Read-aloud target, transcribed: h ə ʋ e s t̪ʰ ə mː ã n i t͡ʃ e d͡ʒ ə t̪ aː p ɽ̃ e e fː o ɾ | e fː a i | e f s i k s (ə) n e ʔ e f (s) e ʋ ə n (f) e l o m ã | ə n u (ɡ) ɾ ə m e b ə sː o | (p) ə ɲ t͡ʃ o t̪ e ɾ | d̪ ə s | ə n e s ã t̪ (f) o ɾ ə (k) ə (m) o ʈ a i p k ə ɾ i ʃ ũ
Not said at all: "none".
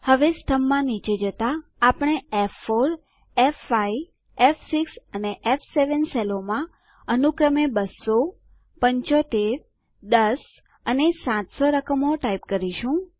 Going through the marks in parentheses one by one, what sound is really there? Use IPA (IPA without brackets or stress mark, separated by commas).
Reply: ə, s, s, k, p, s, k, m